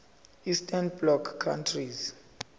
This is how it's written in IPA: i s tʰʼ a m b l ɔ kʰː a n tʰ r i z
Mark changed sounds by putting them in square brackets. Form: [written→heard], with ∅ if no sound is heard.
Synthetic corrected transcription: i s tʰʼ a [m→n] b l ɔ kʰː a n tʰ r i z